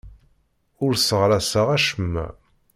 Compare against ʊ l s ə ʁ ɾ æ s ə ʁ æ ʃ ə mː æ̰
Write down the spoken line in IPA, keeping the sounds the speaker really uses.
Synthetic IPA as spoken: ʊ ɾ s ə ʁ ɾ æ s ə ʁ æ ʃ ə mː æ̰